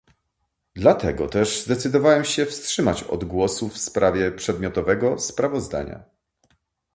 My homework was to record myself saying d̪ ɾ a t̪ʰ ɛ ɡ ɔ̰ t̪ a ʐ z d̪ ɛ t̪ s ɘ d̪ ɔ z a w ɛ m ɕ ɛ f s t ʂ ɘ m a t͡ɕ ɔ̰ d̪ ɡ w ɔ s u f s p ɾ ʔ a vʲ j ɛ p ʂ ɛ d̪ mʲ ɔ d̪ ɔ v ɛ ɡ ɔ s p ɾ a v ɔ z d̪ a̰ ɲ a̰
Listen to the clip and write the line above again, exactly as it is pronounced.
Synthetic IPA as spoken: d̪ l a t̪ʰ ɛ ɡ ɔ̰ t̪ ɛ ʐ z d̪ ɛ t̪ s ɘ d̪ ɔ v a w ɛ m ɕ ɛ f s t ʂ ɘ m a t͡ɕ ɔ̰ d̪ ɡ w ɔ s u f s p ɾ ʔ a vʲ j ɛ p ʂ ɛ d̪ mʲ ɔ t̪ ɔ v ɛ ɡ ɔ s p ɾ a v ɔ z d̪ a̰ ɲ a̰

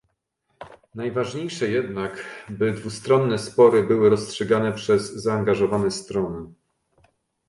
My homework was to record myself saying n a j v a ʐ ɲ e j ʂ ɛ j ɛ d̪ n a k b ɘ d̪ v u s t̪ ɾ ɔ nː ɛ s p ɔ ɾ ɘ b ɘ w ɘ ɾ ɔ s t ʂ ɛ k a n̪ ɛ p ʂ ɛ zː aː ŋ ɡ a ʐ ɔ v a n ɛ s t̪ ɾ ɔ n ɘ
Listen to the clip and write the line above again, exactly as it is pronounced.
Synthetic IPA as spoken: n a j v a ʐ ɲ e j ʂ ɛ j ɛ d̪ n a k b ɘ d̪ v u s t̪ ɾ ɔ nː ɛ s p ɔ ɾ ɘ b ɘ w ɘ ɾ ɔ s t ʂ ɛ ɡ a n̪ ɛ p ʂ ɛ zː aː ŋ ɡ a ʐ ɔ v a n ɛ s t̪ ɾ ɔ n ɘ

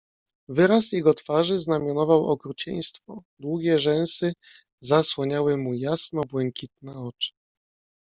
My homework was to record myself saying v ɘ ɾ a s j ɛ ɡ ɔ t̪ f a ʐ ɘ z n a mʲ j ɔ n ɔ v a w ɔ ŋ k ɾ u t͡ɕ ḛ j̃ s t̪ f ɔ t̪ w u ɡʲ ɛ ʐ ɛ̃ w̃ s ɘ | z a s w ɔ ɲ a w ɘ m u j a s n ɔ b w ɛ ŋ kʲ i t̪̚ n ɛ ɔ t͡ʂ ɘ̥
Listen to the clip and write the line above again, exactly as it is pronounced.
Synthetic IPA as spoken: v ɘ ɾ a s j ɛ ɡ ɔ t̪ f a ʐ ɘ z n a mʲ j ɔ n ɔ v a w ɔ k ɾ u t͡ɕ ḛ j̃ s t̪ f ɔ d̪ w u ɡʲ ɛ ʐ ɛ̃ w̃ s ɘ | z a s w ɔ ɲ a w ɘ m u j a s n ɔ b w ɛ ŋ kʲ i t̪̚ n ɛ ɔ t͡ʂ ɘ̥

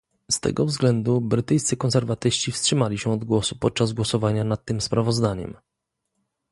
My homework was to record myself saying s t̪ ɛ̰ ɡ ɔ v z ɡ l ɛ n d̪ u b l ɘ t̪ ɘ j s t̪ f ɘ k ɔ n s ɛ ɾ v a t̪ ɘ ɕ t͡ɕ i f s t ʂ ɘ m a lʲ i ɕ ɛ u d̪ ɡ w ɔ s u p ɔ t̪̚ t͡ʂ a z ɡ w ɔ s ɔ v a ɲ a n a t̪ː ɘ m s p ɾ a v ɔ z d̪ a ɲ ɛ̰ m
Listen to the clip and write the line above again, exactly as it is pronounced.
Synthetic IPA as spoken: s t̪ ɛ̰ ɡ ɔ v z ɡ l ɛ n d̪ u b ɾ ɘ t̪ ɘ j s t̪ s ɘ k ɔ n s ɛ ɾ v a t̪ ɘ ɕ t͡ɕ i f s t ʂ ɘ m a lʲ i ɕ ɛ ɔ d̪ ɡ w ɔ s u p ɔ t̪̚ t͡ʂ a z ɡ w ɔ s ɔ v a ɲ a n a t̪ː ɘ m s p ɾ a v ɔ z d̪ a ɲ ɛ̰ m

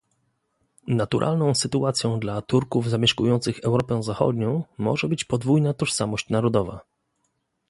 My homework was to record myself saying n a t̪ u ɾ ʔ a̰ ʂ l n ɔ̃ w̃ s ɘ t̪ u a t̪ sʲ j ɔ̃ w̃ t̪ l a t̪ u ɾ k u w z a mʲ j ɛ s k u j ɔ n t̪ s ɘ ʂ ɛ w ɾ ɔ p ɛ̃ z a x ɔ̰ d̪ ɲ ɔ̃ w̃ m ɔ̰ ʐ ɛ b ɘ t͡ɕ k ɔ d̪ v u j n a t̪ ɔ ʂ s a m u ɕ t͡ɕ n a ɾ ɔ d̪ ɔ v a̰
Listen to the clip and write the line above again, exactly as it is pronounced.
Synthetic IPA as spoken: n a t̪ u ɾ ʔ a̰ l n ɔ̃ w̃ s ɘ t̪ u a t̪ sʲ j ɔ̃ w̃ d̪ l a t̪ u ɾ k u v z a mʲ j ɛ ʂ k u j ɔ n t̪ s ɘ x ɛ w ɾ ɔ p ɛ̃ z a x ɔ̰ d̪ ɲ ɔ̃ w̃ m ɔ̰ ʐ ɛ b ɘ t͡ɕ p ɔ d̪ v u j n a t̪ ɔ ʂ s a m ɔ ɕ t͡ɕ n a ɾ ɔ d̪ ɔ v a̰

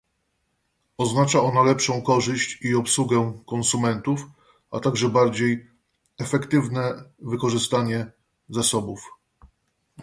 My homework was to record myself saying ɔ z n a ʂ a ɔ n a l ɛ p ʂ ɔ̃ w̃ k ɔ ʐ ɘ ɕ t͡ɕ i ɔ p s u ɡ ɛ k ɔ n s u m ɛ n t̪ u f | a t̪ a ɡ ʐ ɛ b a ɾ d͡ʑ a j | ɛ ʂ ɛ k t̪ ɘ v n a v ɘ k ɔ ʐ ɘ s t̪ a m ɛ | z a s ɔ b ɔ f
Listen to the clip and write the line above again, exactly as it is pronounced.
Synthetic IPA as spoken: ɔ z n a t͡ʂ a ɔ n a l ɛ p ʂ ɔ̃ w̃ k ɔ ʐ ɘ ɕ t͡ɕ i ɔ p s u ɡ ɛ k ɔ n s u m ɛ n t̪ u f | a t̪ a ɡ ʐ ɛ b a ɾ d͡ʑ e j | ɛ f ɛ k t̪ ɘ v n ɛ v ɘ k ɔ ʐ ɘ s t̪ a ɲ ɛ | z a s ɔ b u f

